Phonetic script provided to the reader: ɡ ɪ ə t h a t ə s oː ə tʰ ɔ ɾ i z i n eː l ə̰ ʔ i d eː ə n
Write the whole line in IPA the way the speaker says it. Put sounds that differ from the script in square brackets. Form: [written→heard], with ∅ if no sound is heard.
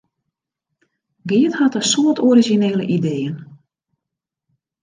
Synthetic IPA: ɡ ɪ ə t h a t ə s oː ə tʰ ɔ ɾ i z i n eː l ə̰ ʔ i d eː ə n